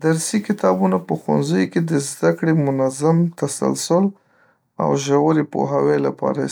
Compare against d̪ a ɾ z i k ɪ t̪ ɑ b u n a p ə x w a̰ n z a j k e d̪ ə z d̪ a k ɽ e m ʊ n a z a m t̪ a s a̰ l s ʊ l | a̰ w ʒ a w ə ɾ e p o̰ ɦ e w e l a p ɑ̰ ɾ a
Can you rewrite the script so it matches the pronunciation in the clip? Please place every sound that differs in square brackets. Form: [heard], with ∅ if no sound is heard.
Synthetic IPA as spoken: d̪ a ɾ [s] i k ɪ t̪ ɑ b u n a p ə x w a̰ n z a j k e d̪ ə z d̪ a k ɽ e m ʊ n a z a m t̪ a s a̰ l s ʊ l | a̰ w ʒ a w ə ɾ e p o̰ ɦ [a] w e l a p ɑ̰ ɾ a